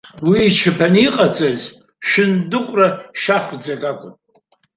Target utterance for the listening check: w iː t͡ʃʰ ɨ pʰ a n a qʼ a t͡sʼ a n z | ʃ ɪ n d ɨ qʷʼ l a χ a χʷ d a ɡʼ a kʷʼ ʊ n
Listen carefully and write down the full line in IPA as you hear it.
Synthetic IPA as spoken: w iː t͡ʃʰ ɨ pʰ a n i qʼ a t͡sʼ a z | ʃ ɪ n d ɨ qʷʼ r a ʃ a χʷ d͡z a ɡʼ a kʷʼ ʊ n